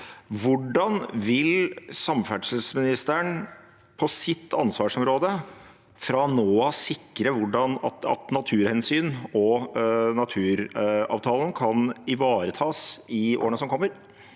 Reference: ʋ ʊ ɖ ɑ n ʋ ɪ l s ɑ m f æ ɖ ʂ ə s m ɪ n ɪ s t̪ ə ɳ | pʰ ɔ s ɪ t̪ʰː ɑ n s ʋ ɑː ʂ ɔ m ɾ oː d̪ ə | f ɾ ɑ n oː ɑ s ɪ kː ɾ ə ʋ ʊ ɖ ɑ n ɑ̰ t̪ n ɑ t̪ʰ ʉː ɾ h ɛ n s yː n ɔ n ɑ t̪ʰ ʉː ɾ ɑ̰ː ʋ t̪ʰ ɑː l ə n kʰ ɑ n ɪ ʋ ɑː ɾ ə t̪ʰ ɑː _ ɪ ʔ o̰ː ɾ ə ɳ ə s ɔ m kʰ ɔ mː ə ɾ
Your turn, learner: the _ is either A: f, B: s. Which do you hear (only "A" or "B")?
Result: B